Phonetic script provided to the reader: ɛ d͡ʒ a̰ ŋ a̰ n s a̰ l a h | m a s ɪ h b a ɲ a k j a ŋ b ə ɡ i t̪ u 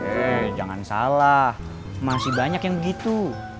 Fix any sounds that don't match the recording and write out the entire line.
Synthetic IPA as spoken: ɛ d͡ʒ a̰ ŋ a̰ n s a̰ l a h | m a s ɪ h b a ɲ a k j a ŋ b ə ɡ i t̪ u